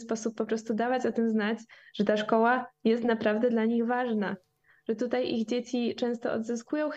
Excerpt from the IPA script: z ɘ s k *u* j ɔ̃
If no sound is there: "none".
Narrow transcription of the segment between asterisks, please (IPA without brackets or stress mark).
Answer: u